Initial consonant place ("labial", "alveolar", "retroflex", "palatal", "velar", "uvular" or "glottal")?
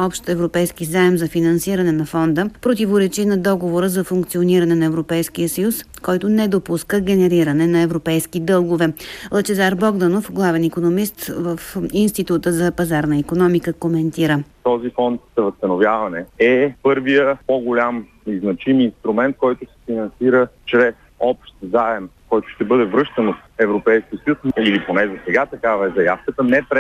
labial